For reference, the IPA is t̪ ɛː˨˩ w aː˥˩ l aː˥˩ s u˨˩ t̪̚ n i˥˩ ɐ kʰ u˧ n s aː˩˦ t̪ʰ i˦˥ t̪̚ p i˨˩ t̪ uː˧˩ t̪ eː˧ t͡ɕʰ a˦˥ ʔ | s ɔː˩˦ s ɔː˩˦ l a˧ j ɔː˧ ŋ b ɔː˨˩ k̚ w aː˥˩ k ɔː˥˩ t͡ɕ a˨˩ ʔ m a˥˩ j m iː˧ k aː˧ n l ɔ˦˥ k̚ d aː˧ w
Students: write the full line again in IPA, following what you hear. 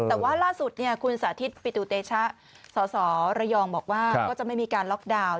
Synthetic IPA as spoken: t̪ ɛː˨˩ w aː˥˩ l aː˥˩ s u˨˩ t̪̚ n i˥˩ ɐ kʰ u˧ n s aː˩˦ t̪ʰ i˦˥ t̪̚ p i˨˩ t̪ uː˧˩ t̪ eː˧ t͡ɕʰ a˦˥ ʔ | s ɔː˩˦ s ɔː˩˦ ɾ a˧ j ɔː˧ ŋ b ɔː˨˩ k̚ w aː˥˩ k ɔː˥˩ t͡ɕ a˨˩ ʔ m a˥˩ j m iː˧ k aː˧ n l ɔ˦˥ k̚ d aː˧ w